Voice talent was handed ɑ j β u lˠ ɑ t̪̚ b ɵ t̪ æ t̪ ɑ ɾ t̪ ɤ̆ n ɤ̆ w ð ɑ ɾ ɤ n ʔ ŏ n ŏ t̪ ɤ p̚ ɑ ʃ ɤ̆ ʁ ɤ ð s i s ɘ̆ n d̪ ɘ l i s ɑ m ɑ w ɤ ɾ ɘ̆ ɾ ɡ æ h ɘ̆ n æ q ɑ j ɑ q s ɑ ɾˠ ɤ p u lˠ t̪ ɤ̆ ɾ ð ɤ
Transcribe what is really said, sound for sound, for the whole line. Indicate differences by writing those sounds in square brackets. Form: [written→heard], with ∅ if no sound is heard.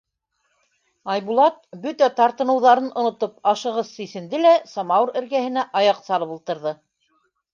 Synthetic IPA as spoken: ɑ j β u lˠ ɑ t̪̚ b ɵ t̪ æ t̪ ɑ ɾ t̪ ɤ̆ n ɤ̆ w ð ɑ ɾ ɤ n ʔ ŏ n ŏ t̪ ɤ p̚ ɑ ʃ ɤ̆ ʁ ɤ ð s i s ɘ̆ n d̪ ɘ l [i→æ] s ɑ m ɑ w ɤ ɾ ɘ̆ ɾ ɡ æ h ɘ̆ n æ [q→ʔ] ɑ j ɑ q s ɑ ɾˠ ɤ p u lˠ t̪ ɤ̆ ɾ ð ɤ